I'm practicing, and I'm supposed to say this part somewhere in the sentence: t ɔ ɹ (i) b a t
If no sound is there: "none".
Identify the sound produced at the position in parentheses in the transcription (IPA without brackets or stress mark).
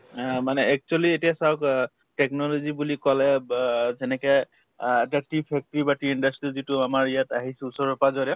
i